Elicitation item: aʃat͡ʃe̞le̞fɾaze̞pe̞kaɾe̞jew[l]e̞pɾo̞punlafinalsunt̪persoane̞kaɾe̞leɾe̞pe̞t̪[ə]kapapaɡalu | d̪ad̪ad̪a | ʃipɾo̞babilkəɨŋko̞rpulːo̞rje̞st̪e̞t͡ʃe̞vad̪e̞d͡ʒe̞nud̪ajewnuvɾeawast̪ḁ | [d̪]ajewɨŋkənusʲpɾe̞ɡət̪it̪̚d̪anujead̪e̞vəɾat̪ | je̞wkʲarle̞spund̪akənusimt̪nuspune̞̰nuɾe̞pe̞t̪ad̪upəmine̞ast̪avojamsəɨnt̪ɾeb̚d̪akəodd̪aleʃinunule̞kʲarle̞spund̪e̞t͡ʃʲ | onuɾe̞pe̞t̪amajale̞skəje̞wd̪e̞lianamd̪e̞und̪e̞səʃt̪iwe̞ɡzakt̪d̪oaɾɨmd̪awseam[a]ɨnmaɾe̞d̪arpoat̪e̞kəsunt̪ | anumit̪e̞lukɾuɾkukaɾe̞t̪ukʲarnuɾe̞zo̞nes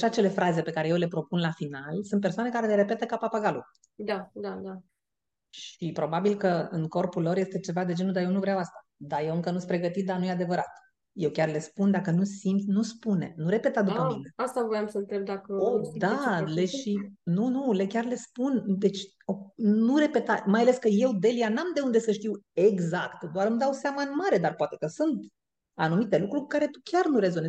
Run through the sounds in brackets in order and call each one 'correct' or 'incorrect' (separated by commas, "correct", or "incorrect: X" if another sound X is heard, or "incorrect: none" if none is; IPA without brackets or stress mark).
correct, correct, correct, correct